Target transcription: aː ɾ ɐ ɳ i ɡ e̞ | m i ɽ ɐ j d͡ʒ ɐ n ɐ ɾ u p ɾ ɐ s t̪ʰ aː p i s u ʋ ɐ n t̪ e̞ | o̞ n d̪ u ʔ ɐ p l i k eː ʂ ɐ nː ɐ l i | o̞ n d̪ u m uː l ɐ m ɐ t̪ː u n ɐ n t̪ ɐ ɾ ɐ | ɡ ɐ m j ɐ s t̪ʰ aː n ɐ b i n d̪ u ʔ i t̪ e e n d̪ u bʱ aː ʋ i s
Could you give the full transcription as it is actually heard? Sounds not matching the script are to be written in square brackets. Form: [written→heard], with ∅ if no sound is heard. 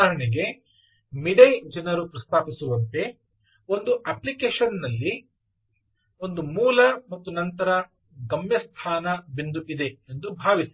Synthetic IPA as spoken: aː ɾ ɐ ɳ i ɡ e̞ | m i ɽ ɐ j d͡ʒ ɐ n ɐ ɾ u p ɾ ɐ s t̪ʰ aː p i s u ʋ ɐ n t̪ e̞ | o̞ n d̪ u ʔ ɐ p l i k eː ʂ ɐ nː ɐ [l→lː] i | o̞ n d̪ u m uː l ɐ m ɐ t̪ː u n ɐ n t̪ ɐ ɾ ɐ | ɡ ɐ m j ɐ s t̪ʰ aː n ɐ b i n d̪ u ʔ i [t̪→d̪] e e n d̪ u bʱ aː ʋ i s